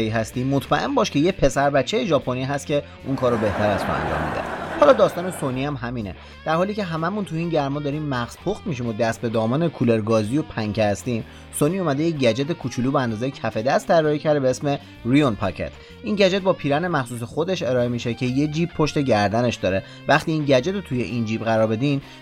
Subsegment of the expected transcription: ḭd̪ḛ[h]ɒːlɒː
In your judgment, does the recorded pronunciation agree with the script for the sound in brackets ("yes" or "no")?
yes